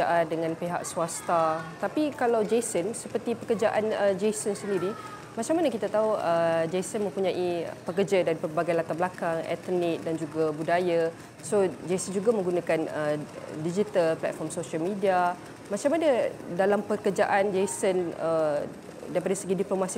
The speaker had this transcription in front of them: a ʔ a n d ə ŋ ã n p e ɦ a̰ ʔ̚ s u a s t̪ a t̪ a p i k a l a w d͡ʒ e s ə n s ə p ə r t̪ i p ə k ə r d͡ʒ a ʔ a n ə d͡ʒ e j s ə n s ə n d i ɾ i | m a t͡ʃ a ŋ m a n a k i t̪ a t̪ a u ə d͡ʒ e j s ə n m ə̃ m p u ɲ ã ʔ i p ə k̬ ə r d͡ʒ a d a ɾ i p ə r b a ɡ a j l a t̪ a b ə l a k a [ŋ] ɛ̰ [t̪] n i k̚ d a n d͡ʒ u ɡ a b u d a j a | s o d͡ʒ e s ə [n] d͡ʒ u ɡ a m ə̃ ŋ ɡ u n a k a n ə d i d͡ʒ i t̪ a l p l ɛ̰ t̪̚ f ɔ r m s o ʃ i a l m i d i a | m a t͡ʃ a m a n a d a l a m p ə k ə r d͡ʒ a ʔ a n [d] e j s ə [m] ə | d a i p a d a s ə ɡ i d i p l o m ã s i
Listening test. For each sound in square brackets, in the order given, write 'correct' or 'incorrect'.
correct, correct, correct, incorrect, incorrect

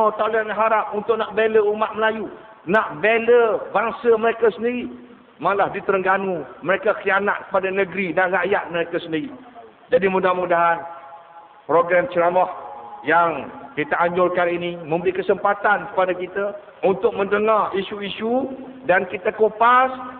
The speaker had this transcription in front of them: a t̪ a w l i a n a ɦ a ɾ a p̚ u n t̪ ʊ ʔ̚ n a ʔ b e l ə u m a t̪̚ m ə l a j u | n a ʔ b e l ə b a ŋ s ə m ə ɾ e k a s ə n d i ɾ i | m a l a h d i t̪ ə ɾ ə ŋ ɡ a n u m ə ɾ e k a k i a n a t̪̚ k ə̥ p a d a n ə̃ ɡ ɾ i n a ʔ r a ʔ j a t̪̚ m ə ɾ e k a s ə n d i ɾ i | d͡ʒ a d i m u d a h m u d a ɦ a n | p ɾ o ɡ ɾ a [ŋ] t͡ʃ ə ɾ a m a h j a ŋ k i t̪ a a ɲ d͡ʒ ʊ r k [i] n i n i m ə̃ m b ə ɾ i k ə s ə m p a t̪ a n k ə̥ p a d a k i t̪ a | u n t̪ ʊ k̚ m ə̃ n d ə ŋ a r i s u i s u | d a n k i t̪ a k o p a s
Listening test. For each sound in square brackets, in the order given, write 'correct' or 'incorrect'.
incorrect, incorrect

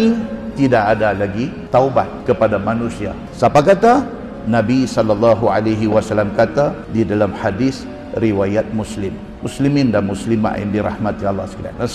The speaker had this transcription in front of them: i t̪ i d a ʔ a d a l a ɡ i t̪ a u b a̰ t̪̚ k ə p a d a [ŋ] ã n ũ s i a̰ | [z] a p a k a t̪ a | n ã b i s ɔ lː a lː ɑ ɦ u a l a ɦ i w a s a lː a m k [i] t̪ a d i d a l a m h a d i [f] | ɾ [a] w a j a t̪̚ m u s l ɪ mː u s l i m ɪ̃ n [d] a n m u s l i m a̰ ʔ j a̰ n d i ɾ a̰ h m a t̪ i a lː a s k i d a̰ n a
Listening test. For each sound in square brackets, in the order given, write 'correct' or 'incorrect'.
incorrect, incorrect, incorrect, incorrect, incorrect, correct

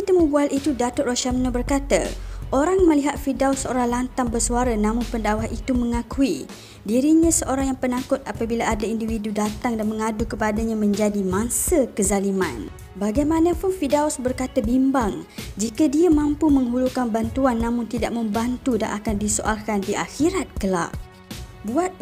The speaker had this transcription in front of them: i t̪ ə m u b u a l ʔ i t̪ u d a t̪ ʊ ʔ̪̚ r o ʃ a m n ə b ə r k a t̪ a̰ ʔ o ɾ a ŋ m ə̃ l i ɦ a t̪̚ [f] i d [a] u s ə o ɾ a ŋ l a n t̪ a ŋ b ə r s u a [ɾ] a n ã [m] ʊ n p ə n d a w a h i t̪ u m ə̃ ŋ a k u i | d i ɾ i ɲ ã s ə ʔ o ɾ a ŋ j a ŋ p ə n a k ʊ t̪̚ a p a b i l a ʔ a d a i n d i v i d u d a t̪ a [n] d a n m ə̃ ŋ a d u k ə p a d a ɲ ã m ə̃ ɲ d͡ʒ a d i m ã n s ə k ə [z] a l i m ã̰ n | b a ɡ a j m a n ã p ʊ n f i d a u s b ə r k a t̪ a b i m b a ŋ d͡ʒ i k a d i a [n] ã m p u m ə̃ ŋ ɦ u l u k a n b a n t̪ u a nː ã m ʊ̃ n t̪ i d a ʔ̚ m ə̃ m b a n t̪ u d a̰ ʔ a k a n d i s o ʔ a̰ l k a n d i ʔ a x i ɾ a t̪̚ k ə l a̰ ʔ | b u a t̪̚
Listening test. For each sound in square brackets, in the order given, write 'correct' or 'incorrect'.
correct, correct, correct, correct, incorrect, correct, incorrect

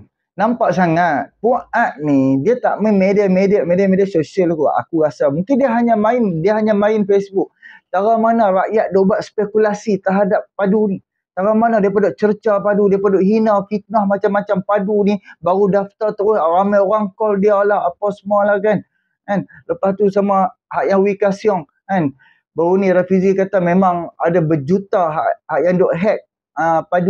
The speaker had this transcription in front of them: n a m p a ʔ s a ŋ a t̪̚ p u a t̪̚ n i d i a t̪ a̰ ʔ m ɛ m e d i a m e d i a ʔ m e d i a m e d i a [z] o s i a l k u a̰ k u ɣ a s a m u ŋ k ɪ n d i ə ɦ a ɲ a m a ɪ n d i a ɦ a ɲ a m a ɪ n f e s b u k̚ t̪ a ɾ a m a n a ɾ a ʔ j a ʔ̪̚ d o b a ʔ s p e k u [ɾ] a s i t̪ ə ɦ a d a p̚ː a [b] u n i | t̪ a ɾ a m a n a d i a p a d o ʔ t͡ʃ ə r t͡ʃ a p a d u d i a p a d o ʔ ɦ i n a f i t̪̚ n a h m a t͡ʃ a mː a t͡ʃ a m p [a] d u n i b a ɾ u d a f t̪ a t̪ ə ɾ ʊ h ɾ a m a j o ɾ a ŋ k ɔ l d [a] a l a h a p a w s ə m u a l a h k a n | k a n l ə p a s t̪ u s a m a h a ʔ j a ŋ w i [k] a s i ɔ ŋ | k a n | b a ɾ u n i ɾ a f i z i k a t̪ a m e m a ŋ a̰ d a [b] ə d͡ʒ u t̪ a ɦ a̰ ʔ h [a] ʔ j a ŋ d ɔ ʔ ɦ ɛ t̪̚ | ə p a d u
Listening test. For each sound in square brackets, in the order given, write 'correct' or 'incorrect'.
incorrect, incorrect, incorrect, correct, incorrect, correct, correct, correct

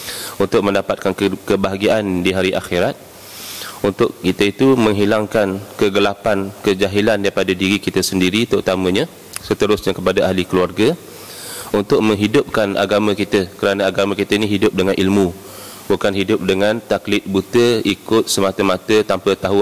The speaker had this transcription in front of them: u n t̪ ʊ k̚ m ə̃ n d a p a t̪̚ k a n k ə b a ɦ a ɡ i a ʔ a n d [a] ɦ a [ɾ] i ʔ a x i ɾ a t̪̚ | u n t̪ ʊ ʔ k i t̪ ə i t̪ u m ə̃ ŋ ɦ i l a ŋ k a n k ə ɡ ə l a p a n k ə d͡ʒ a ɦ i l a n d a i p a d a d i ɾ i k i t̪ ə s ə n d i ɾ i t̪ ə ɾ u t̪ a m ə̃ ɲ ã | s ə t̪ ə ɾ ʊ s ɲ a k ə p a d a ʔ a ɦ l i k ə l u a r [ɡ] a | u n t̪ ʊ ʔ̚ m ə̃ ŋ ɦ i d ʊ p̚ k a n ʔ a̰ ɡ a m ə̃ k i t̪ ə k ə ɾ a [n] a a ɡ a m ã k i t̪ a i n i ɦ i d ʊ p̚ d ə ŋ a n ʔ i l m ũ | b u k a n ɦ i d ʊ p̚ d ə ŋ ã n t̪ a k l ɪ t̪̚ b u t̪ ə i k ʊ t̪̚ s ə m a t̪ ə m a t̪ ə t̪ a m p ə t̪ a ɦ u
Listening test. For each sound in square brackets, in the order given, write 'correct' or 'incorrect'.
incorrect, correct, correct, correct

